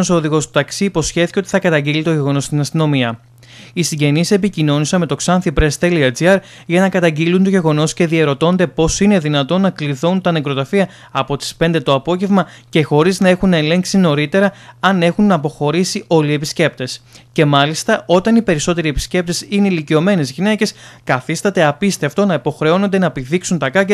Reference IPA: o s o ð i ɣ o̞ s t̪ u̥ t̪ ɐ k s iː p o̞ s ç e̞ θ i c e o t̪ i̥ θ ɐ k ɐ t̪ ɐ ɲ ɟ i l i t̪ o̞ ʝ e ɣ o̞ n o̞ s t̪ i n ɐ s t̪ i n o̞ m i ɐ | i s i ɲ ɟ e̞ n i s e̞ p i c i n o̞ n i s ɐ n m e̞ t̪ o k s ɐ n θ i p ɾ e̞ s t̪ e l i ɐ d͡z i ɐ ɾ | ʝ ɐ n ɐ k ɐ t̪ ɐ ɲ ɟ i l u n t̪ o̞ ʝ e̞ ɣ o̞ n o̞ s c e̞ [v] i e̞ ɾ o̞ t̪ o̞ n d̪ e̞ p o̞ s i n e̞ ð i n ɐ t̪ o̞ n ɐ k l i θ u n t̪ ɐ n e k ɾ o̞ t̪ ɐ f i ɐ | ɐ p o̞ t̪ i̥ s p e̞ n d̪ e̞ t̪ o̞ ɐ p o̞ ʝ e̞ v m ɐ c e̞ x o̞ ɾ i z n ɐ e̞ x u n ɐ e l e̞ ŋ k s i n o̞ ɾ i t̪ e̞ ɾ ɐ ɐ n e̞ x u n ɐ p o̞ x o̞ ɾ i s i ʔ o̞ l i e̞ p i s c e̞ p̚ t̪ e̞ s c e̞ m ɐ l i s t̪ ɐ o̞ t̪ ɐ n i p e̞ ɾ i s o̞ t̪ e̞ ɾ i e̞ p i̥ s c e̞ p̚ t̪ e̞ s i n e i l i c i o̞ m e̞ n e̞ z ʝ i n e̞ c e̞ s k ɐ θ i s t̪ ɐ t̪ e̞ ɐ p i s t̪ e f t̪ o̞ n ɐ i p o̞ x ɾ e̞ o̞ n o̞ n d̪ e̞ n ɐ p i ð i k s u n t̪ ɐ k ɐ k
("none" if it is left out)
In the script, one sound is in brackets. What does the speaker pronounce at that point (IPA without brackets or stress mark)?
ð